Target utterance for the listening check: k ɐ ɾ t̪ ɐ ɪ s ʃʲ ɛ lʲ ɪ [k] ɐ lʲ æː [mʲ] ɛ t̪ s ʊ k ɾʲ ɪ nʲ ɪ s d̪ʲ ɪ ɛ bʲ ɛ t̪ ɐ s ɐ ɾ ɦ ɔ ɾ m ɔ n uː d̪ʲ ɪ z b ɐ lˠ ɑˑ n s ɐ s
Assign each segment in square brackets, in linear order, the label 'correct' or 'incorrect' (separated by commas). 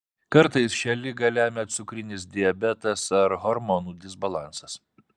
incorrect, correct